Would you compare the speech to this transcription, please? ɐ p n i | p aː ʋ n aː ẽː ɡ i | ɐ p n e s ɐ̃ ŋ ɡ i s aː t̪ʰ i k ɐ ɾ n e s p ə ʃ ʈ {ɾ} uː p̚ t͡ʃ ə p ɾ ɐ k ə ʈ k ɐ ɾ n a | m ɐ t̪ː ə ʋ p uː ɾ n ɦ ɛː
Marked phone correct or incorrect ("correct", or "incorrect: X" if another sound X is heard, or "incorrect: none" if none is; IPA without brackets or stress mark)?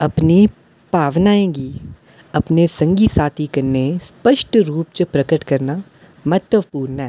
correct